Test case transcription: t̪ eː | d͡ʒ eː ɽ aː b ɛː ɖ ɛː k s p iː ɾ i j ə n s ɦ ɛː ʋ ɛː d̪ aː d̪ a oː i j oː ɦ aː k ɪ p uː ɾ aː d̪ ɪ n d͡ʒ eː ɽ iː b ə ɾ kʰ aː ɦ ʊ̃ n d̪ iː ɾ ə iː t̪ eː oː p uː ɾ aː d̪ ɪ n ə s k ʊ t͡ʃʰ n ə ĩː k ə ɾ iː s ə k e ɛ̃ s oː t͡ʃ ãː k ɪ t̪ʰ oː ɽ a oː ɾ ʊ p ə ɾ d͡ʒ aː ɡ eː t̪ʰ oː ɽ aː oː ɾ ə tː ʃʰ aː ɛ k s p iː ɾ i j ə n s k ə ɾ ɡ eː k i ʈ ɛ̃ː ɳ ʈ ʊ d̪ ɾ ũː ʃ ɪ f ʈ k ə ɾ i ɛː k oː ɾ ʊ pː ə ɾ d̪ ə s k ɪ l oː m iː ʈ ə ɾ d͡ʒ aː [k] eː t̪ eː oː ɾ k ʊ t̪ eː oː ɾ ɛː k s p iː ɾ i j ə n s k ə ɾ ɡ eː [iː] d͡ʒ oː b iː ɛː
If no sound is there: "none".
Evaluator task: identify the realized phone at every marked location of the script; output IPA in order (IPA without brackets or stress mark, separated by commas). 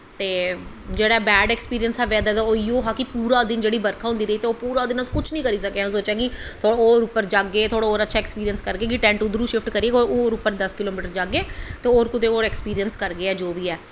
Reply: ɡ, ɛː